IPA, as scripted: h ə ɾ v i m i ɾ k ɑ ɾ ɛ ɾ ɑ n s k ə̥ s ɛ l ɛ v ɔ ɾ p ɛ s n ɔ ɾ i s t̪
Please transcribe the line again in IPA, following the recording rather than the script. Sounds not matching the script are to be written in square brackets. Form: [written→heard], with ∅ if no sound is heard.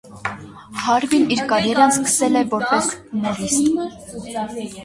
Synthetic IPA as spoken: h [ə→ɑ] ɾ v i [m→n] i ɾ k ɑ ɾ ɛ ɾ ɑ n s k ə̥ s ɛ l ɛ v ɔ ɾ p ɛ s n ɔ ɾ i s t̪